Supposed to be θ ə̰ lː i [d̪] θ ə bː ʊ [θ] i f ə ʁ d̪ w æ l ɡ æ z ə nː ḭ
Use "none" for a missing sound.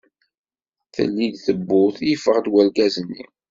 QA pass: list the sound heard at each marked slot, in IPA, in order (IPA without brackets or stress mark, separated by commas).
d̪, θ